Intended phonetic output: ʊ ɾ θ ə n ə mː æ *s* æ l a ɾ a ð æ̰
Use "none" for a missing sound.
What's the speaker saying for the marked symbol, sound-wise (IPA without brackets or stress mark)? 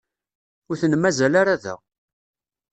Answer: z